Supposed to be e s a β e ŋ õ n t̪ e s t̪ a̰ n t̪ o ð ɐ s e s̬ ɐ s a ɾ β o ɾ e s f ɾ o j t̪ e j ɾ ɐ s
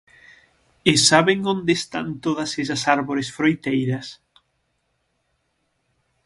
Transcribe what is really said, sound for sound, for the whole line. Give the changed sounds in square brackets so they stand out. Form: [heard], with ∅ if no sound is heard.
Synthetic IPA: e s a β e ŋ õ n [d̪] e s t̪ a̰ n t̪ o ð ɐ s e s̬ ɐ s a ɾ β o ɾ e s f ɾ o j t̪ e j ɾ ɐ s